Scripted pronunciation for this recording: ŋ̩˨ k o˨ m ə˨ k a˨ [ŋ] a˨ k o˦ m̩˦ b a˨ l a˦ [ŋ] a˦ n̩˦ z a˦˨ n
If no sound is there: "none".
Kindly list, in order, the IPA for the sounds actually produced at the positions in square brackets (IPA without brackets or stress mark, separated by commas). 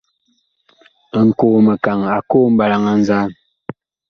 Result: ŋ, ŋ